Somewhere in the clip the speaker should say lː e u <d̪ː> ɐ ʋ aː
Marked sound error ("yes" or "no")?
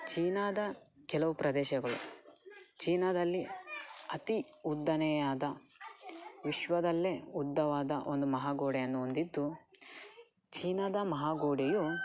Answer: no